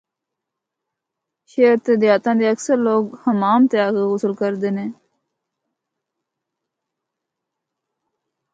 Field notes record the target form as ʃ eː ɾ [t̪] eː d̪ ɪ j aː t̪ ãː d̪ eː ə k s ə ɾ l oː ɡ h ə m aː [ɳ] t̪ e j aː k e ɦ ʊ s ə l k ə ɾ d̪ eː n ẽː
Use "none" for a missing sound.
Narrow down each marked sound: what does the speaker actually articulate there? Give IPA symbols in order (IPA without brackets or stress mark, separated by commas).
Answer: t̪, m